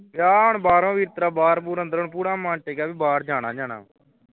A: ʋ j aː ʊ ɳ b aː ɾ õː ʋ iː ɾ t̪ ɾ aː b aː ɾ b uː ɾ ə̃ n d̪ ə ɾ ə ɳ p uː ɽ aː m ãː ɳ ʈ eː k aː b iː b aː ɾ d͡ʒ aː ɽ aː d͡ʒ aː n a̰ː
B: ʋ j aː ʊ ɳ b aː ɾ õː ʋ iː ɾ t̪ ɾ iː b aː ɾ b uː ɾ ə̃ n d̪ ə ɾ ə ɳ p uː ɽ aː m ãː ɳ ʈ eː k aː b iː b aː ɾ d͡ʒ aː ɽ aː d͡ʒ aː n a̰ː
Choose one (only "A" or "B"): A